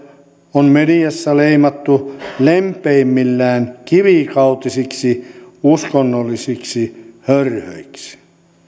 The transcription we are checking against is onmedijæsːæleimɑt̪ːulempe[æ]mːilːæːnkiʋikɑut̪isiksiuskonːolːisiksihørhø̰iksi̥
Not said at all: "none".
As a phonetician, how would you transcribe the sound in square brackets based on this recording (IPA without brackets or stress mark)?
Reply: i